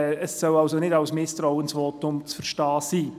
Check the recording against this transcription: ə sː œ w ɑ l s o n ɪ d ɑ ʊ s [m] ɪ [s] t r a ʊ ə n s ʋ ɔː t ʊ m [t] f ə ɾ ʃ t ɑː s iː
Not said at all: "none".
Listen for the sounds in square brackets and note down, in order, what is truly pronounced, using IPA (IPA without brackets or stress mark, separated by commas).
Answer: m, s, t͡s